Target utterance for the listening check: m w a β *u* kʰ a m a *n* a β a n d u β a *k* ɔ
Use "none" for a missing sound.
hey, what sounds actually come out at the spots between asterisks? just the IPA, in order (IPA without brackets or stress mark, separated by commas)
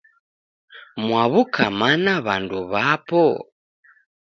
u, n, p